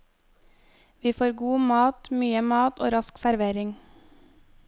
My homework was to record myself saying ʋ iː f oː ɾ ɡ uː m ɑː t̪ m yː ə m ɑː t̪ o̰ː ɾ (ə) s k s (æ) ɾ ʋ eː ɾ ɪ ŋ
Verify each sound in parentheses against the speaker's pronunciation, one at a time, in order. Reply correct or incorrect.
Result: incorrect, correct

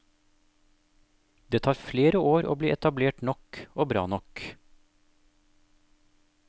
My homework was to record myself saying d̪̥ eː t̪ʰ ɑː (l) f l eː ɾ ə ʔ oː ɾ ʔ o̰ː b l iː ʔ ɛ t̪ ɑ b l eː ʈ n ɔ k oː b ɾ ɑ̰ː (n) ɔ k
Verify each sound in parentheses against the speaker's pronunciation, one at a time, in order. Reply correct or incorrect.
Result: incorrect, correct

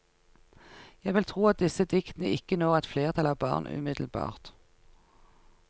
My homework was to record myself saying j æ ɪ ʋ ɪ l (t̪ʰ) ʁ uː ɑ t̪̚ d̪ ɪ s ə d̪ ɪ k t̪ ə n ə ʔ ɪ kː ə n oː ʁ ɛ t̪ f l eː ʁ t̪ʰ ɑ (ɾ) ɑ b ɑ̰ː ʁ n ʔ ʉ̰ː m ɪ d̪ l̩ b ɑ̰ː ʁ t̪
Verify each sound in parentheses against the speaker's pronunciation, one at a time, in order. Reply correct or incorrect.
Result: correct, incorrect

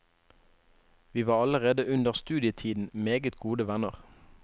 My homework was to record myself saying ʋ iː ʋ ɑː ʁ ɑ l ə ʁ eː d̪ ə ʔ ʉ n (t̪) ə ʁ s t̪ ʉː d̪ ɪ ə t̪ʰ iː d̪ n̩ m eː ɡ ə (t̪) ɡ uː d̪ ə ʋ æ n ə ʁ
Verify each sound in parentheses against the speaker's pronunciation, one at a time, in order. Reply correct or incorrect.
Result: incorrect, correct

